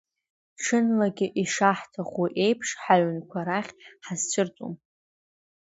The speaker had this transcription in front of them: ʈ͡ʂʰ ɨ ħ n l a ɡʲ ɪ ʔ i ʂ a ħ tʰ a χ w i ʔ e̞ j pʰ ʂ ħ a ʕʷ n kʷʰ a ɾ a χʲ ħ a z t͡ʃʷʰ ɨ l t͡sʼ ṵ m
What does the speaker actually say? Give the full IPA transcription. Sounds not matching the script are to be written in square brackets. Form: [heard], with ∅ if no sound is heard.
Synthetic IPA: ʈ͡ʂʰ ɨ [∅] n l a ɡʲ ɪ ʔ i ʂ a ħ tʰ a χ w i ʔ e̞ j pʰ ʂ ħ a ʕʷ n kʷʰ a ɾ a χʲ ħ a z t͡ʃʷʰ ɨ [r] t͡sʼ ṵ m